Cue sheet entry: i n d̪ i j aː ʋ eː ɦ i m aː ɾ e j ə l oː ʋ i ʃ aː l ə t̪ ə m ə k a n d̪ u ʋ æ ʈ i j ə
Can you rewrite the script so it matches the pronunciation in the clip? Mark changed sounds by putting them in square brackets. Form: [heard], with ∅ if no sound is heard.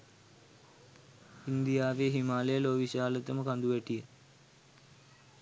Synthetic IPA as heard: i n d̪ i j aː ʋ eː ɦ i m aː [l] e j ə l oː ʋ i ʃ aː l ə t̪ ə m ə k a n d̪ u ʋ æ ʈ i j ə